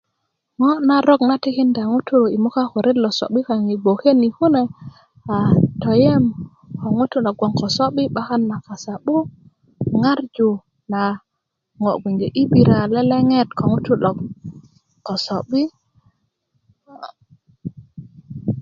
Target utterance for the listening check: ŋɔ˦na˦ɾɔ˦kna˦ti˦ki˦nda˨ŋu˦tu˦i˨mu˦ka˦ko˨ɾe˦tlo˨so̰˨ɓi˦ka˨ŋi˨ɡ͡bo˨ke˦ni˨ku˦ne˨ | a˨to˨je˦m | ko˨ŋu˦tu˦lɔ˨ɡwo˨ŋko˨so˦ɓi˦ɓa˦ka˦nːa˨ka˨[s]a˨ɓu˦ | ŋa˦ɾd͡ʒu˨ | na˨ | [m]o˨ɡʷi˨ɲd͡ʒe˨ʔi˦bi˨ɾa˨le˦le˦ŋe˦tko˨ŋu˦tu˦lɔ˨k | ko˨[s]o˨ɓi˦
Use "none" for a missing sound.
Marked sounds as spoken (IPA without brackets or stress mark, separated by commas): s, ŋ, s